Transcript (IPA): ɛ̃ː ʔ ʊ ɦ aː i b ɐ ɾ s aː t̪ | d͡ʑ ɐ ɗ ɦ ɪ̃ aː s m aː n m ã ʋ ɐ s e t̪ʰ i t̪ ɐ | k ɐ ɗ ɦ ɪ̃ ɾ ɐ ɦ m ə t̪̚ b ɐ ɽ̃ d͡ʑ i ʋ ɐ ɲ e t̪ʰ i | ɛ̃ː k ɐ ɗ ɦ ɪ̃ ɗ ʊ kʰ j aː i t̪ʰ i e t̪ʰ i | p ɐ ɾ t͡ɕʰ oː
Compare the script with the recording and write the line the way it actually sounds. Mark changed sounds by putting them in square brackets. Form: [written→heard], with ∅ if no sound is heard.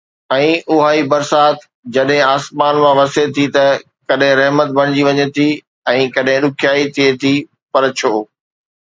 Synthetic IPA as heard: ɛ̃ː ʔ ʊ ɦ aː i b ɐ ɾ s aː t̪ | d͡ʑ ɐ ɗ ɦ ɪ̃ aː s m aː n m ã ʋ ɐ s e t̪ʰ i t̪ ɐ | k ɐ ɗ ɦ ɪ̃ ɾ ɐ ɦ m ə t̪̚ b ɐ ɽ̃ d͡ʑ i ʋ ɐ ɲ e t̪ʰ i | ɛ̃ː k ɐ ɗ ɦ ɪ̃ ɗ ʊ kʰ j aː i t̪ʰ i e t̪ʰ i | p ɐ ɾ t͡ɕʰ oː

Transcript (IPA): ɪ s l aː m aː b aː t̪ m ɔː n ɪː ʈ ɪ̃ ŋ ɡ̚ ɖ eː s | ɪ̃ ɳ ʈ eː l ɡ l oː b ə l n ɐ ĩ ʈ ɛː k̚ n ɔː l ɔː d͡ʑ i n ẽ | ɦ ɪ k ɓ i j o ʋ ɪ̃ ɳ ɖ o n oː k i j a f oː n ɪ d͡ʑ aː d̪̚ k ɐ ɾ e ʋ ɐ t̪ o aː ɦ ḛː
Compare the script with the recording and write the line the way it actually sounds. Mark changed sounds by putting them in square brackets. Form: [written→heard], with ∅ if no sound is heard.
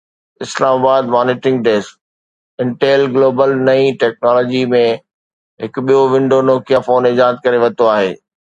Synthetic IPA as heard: ɪ s l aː m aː b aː [t̪→d̪] m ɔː n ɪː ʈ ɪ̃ ŋ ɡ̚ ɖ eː s | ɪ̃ ɳ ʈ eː l ɡ l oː b ə l n ɐ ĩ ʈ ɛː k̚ n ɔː l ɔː d͡ʑ i [n→m] ẽ | ɦ ɪ k ɓ i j o ʋ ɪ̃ ɳ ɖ o n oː k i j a f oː n ɪ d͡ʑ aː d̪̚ k ɐ ɾ e ʋ ɐ t̪ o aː ɦ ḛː

